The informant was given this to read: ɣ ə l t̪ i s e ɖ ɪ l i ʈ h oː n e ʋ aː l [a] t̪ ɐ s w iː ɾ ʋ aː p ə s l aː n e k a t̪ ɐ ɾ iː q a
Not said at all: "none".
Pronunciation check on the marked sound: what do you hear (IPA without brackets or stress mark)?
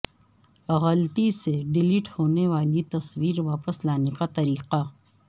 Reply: i